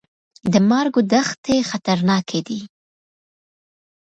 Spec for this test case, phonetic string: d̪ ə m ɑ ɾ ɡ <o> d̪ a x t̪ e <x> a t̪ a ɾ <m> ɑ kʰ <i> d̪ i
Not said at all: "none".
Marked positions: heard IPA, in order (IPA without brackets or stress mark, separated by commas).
o, x, n, e